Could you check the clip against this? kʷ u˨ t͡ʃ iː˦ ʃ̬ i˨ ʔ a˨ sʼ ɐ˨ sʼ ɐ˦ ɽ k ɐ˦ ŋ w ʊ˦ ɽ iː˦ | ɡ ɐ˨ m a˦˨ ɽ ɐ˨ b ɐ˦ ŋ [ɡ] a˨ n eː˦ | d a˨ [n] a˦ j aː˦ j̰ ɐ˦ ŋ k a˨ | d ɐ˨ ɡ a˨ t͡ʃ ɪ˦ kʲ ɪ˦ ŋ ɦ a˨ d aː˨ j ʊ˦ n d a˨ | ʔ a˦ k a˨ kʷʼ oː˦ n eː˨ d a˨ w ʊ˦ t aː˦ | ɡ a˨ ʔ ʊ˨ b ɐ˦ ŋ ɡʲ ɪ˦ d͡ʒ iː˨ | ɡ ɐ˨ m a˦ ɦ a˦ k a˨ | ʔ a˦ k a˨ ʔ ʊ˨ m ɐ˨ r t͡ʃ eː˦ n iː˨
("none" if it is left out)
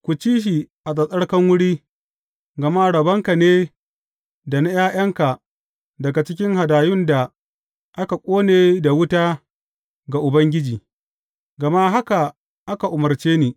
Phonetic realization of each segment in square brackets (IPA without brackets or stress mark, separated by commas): k, n